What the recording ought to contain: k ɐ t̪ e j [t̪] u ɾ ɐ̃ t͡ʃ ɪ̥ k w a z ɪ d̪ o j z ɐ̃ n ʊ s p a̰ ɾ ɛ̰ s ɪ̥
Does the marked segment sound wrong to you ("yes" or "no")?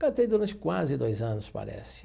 yes